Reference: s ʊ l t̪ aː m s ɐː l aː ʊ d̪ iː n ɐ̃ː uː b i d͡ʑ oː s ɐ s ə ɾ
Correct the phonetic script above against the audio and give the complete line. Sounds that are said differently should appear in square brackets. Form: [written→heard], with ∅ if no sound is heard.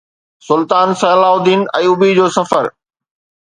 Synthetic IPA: s ʊ l t̪ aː [m→n] s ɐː l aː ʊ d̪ iː n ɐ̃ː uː b i d͡ʑ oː s ɐ [s→f] ə ɾ